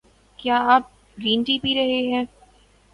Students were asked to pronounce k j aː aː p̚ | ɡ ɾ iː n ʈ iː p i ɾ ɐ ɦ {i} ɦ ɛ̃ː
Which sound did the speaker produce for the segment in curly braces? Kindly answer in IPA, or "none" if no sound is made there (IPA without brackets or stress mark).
e